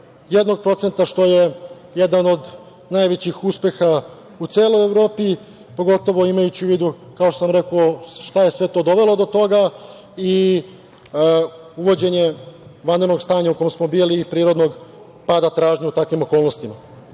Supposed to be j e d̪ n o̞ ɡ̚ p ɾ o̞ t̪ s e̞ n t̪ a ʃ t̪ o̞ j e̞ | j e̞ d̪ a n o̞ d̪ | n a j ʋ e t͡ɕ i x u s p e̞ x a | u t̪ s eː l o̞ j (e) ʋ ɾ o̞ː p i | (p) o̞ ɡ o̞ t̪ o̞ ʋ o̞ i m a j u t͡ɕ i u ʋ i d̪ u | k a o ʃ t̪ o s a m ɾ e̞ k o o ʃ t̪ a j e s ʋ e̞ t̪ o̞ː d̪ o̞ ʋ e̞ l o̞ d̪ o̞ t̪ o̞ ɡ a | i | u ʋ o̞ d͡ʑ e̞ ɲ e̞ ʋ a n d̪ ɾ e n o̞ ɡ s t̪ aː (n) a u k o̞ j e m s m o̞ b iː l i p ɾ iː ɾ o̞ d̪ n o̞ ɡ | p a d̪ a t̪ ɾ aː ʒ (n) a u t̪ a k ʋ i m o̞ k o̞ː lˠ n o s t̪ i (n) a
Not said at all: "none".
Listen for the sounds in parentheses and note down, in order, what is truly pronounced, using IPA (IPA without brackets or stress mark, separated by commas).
e, p, ɲ, ɲ, m